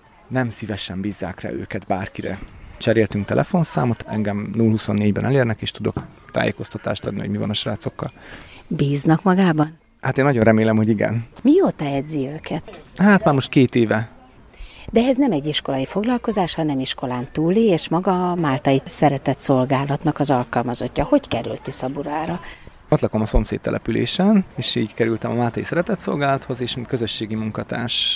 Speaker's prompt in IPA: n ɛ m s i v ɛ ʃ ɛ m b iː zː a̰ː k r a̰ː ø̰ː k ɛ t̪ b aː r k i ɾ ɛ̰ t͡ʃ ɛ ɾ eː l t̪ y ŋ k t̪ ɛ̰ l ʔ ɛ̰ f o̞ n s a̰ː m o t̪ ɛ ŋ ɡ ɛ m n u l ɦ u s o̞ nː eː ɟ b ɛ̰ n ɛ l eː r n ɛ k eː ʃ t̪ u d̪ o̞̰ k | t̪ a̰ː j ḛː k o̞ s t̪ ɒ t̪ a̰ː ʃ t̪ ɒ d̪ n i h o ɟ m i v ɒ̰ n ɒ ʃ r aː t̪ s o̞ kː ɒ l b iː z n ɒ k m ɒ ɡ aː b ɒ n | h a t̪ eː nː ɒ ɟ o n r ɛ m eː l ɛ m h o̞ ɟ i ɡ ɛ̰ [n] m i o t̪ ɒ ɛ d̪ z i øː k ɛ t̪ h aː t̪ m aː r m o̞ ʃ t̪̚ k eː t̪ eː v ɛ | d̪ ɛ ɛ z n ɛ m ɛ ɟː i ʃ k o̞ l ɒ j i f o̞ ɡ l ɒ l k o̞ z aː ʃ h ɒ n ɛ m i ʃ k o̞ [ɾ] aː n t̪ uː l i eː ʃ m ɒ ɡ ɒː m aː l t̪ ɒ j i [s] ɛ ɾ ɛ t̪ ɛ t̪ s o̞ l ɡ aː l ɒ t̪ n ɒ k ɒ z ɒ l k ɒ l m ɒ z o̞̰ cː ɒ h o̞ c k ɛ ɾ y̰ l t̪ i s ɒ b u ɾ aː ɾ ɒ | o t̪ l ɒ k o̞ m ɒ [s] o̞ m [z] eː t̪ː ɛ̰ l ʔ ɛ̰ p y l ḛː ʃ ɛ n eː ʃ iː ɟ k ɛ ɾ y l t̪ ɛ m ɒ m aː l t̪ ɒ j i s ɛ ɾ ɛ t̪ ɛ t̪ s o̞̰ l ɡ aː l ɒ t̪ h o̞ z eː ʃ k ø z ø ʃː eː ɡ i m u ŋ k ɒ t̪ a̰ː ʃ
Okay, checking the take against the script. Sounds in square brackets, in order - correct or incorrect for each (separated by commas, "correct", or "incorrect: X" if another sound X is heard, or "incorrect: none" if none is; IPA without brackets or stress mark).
correct, incorrect: l, correct, correct, incorrect: s